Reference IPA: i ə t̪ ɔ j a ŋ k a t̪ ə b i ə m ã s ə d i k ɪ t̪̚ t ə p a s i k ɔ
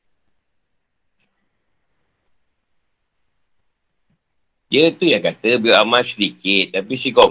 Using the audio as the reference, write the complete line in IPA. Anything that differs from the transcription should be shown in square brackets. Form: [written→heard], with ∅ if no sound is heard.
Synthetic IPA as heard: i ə t̪ [ɔ→u] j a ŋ k a t̪ ə b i [ə→a] m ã s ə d i k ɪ t̪̚ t [ə→a] p [a→i] s i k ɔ